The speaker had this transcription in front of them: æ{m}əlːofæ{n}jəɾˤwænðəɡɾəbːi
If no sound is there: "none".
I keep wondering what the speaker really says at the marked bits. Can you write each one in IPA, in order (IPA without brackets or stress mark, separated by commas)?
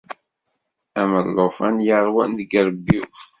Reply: m, n